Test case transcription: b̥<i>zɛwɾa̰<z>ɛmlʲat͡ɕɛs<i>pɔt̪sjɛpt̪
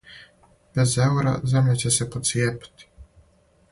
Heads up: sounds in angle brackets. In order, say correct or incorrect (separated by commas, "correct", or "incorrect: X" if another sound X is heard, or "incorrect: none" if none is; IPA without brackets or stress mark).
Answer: incorrect: ɛ, correct, incorrect: ɛ